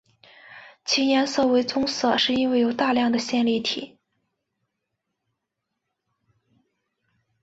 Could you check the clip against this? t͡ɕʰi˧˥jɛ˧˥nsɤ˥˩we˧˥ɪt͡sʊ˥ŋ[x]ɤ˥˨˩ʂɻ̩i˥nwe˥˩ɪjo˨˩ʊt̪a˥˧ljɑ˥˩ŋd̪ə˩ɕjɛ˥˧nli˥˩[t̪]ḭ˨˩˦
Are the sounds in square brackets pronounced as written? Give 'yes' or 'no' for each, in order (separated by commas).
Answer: no, no